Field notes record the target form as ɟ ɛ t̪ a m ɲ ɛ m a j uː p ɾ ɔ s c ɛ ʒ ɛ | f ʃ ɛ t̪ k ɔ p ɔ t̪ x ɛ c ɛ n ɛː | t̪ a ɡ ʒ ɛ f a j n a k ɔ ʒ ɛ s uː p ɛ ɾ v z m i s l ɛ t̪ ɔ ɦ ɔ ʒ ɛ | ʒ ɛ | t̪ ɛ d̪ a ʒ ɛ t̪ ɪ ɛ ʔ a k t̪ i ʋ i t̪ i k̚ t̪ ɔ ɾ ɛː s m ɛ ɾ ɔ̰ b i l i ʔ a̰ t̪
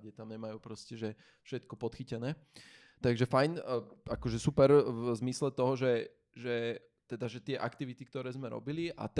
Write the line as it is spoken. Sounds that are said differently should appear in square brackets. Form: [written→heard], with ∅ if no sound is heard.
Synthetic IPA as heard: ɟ ɛ t̪ a m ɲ ɛ m a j uː p ɾ ɔ s c ɛ ʒ ɛ | f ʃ ɛ t̪ k ɔ p ɔ t̪ x [ɛ→i] c ɛ n ɛː | t̪ a ɡ ʒ ɛ f a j n a k ɔ ʒ ɛ s [uː→u] p ɛ ɾ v z m i s l ɛ t̪ ɔ ɦ ɔ ʒ ɛ | ʒ ɛ | t̪ ɛ d̪ a ʒ ɛ t̪ ɪ ɛ ʔ a k t̪ i ʋ i t̪ i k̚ t̪ ɔ ɾ ɛː [s→z] m ɛ ɾ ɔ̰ b i l i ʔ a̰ t̪